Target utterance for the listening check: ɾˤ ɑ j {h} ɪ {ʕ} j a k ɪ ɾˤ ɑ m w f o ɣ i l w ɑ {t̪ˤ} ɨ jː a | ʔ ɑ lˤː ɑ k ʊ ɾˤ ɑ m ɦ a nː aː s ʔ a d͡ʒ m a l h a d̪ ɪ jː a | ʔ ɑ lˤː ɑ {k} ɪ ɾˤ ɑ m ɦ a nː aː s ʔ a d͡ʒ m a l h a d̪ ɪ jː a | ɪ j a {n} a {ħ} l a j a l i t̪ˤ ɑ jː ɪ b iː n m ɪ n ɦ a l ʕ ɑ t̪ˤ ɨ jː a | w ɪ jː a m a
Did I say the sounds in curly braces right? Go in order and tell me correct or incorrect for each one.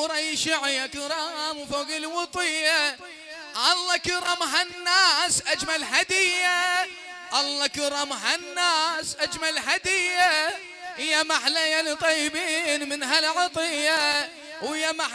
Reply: incorrect: ʃ, correct, correct, correct, incorrect: m, correct

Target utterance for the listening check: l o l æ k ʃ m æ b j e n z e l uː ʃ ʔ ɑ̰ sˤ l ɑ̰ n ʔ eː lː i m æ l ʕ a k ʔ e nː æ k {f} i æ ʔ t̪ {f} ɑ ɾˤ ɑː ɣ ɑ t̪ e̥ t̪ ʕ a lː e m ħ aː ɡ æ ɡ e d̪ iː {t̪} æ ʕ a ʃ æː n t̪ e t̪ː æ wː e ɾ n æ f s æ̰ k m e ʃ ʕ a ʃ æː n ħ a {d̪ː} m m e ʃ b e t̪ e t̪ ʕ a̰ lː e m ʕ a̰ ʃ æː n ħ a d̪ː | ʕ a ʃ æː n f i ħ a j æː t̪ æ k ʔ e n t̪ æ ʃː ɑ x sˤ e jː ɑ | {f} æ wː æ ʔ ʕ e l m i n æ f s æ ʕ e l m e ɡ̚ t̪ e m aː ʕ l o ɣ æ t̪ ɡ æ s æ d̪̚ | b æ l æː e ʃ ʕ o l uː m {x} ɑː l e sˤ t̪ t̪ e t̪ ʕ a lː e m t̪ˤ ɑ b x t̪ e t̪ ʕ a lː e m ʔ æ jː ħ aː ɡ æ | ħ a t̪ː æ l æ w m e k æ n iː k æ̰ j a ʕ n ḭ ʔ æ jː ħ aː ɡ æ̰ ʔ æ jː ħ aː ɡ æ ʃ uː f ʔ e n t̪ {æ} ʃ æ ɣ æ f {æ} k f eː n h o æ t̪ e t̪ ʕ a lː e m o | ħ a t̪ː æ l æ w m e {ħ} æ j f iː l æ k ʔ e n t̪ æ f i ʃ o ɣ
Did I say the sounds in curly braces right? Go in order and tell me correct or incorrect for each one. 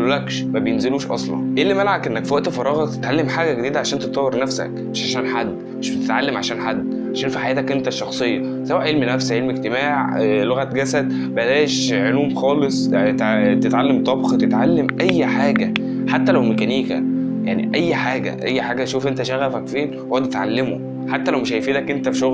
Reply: correct, correct, incorrect: d̪, correct, incorrect: s, correct, correct, correct, incorrect: ʃ

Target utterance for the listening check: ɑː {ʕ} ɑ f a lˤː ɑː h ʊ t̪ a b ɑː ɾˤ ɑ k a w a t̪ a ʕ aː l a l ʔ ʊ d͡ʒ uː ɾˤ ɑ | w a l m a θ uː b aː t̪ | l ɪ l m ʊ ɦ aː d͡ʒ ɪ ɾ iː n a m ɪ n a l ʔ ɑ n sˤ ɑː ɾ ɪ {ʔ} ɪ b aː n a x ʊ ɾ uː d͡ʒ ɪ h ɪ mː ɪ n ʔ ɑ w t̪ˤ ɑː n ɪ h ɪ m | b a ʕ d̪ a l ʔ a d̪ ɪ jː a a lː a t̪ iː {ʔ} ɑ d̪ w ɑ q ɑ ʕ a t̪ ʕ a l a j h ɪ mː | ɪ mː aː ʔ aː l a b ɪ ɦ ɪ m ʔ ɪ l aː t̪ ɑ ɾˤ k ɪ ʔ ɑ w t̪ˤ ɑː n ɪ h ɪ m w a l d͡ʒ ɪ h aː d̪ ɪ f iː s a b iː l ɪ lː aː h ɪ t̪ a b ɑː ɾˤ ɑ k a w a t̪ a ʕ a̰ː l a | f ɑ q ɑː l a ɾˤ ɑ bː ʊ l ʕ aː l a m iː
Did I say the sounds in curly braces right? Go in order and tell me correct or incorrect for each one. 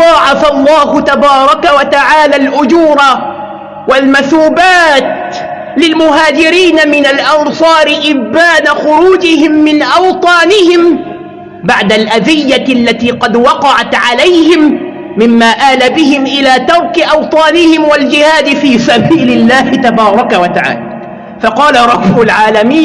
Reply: correct, correct, incorrect: q

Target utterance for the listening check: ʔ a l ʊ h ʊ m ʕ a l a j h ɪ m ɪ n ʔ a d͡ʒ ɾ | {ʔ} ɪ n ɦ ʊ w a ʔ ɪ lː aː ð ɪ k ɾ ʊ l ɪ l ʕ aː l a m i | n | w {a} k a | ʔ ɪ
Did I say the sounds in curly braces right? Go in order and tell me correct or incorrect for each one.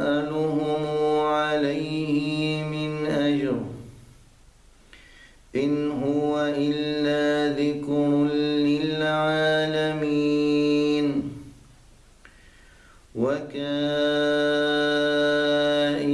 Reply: correct, correct

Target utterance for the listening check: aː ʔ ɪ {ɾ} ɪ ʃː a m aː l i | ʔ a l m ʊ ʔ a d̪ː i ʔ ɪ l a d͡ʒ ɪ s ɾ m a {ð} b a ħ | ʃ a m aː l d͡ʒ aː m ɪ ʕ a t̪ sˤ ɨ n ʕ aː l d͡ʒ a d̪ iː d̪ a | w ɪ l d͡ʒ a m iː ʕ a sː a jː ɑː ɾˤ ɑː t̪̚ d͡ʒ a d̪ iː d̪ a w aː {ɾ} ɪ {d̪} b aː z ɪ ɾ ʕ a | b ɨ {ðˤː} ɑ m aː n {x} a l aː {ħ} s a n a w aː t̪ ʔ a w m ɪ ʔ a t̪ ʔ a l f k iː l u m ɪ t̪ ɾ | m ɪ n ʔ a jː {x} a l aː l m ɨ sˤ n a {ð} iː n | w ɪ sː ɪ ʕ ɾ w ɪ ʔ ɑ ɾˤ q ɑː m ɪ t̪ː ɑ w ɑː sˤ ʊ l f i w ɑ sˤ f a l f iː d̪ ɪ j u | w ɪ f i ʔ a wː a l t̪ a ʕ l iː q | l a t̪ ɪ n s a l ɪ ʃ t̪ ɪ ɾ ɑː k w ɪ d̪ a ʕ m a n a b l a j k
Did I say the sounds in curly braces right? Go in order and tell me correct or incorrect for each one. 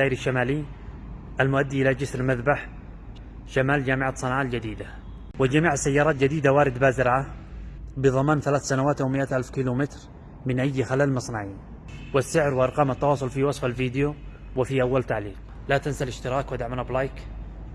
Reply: correct, correct, correct, correct, incorrect: ðˤ, incorrect: θ, incorrect: θ, correct, incorrect: ʕ

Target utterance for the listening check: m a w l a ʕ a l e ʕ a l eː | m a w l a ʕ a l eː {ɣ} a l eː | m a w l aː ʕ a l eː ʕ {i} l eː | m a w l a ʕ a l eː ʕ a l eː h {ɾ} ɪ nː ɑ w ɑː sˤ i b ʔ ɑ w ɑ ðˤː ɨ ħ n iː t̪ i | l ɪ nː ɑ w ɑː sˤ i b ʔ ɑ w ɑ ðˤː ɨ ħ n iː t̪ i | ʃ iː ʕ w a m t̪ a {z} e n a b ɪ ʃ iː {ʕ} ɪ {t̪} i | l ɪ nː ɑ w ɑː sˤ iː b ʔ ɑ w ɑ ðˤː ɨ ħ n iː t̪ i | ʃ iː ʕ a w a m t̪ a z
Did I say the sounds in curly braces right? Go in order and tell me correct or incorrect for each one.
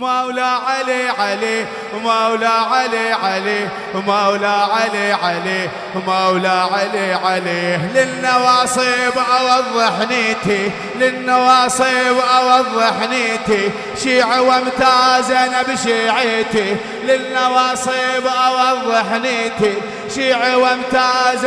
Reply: incorrect: ʕ, incorrect: a, incorrect: l, correct, correct, correct

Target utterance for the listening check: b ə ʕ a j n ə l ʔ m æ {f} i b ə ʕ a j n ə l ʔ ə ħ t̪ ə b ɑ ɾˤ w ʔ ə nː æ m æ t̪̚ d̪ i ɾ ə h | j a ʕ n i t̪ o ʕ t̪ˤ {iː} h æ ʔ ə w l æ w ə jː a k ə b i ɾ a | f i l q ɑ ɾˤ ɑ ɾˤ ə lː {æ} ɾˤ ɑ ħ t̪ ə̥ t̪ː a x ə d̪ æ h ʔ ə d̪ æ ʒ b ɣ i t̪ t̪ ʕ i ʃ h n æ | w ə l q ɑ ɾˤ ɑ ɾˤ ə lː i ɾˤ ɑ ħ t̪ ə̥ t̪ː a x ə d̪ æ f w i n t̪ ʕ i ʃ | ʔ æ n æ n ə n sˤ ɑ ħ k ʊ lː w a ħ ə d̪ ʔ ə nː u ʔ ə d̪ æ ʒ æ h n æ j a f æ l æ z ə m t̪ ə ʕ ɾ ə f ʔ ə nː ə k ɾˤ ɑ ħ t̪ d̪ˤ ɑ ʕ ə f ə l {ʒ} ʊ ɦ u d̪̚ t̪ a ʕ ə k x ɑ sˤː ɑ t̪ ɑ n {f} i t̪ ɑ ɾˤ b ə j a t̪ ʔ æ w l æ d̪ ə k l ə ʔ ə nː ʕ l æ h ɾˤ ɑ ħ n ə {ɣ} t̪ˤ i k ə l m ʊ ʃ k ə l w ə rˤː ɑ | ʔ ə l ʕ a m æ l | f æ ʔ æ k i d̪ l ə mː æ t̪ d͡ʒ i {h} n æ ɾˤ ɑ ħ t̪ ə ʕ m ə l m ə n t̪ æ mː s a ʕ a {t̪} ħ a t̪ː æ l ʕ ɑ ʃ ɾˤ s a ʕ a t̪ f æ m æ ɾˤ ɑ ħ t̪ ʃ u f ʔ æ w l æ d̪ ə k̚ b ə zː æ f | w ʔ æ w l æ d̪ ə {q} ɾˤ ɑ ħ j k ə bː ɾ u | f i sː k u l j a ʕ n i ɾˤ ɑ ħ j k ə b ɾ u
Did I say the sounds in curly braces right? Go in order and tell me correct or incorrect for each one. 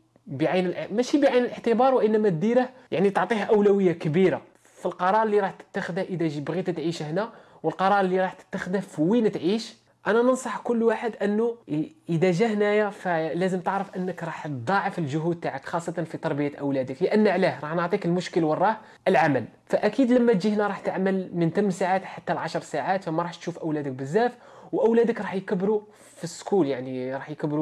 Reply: incorrect: ʃ, incorrect: i, incorrect: i, correct, correct, incorrect: ʕ, correct, correct, incorrect: k

